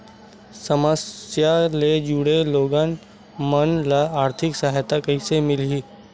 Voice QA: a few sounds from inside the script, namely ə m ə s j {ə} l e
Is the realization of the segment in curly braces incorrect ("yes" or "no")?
yes